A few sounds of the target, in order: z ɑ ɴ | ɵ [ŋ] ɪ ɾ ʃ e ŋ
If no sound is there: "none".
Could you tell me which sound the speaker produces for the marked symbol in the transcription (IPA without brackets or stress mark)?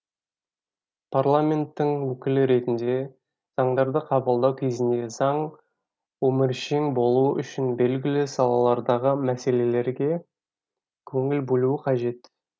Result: m